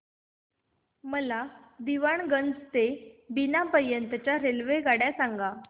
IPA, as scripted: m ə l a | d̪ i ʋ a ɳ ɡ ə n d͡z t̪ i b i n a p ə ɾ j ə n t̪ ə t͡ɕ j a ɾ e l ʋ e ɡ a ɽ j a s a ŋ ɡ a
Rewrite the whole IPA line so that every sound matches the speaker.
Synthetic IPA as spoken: m ə l a | d̪ i ʋ a ɳ ɡ ə n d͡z t̪ e b i n a p ə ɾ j ə n t̪ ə t͡ɕ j a ɾ e l ʋ e ɡ a ɽ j a s a ŋ ɡ a